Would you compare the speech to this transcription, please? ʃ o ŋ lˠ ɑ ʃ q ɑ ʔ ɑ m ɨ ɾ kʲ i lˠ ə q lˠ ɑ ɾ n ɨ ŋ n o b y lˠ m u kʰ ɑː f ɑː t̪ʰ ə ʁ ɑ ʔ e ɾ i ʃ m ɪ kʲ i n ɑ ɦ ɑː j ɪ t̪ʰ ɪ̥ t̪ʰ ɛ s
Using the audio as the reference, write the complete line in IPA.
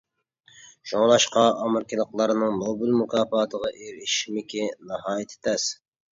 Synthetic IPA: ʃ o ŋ lˠ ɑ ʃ q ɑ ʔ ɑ m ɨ ɾ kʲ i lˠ ə q lˠ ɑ ɾ n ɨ ŋ n o b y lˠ m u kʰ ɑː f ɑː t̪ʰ ə ʁ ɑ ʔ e ɾ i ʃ m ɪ kʲ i n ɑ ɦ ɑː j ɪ t̪ʰ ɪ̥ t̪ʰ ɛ s

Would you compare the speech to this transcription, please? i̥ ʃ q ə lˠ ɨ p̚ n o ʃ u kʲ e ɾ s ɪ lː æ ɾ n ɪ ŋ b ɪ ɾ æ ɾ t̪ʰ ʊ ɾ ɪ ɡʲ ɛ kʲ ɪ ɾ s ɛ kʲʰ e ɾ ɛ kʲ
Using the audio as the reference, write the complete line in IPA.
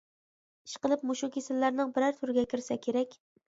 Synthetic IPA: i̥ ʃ q ə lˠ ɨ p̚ m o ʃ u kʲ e s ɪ lː æ ɾ n ɪ ŋ b ɪ ɾ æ ɾ t̪ʰ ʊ ɾ ɪ ɡʲ ɛ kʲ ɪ ɾ s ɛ kʲʰ e ɾ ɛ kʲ

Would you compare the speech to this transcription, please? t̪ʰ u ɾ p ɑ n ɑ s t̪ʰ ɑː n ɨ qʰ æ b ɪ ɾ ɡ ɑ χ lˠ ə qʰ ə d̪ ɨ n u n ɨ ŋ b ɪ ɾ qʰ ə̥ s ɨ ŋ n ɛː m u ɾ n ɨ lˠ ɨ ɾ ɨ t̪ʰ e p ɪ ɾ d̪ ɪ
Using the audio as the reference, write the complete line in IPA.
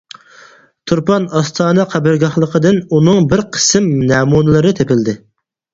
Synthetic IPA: t̪ʰ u ɾ p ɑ n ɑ s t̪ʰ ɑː n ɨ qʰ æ b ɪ ɾ ɡ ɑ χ lˠ ə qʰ ə d̪ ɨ n u n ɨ ŋ b ɪ ɾ qʰ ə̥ s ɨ m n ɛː m u n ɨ lˠ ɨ ɾ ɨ t̪ʰ e p ɪ l d̪ ɪ

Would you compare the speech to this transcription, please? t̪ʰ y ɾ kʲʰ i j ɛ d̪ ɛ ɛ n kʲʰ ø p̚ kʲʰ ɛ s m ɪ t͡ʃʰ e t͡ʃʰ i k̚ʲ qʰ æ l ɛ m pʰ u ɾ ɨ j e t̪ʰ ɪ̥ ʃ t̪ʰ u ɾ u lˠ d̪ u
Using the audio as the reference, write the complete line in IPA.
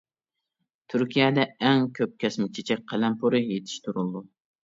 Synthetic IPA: t̪ʰ y ɾ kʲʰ i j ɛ d̪ ɛ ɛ ŋ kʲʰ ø p̚ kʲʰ ɛ s m ɪ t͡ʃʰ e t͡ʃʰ ɛ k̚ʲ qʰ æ l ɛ m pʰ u ɾ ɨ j e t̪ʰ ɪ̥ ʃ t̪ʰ u ɾ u lˠ d̪ u

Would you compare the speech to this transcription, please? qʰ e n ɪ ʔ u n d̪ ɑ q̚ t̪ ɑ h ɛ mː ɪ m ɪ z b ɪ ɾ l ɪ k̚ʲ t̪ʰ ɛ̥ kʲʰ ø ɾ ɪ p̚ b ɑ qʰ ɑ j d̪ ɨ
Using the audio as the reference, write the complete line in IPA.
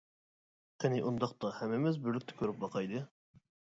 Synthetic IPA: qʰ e n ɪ ʔ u n d̪ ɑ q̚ t̪ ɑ h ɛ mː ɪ m ɪ z b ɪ ɾ l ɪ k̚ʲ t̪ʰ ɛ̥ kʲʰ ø ɾ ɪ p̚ b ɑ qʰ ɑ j d̪ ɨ

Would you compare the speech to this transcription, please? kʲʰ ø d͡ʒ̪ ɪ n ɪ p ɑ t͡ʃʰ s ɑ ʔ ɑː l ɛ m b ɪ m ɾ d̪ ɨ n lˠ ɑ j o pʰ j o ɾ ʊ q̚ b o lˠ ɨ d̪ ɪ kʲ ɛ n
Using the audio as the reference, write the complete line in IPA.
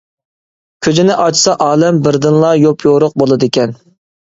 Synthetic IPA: kʲʰ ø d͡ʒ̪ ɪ n ɪ ʔ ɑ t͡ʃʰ s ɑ ʔ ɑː l ɛ m b ɪ ɾ d̪ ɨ n lˠ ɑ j o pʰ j o ɾ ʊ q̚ b o lˠ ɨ d̪ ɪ kʲ ɛ n

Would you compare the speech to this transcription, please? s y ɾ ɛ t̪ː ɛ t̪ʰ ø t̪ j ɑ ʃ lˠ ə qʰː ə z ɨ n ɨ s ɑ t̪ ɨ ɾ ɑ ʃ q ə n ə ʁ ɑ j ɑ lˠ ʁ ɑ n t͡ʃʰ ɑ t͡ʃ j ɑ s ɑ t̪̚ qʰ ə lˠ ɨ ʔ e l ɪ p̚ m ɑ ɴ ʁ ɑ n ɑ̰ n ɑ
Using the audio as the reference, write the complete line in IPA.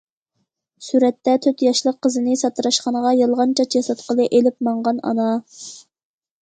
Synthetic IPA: s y ɾ ɛ t̪ː ɛ t̪ʰ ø t̪ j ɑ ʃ lˠ ə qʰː ə z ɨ n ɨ s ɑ t̪ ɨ ɾ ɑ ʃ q ɑ n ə ʁ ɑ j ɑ lˠ ʁ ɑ n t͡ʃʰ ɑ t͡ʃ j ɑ s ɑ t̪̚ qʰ ə lˠ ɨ ʔ e l ɪ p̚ m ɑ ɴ ʁ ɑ n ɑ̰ n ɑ

